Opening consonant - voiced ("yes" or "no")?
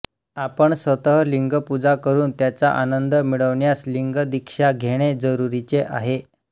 no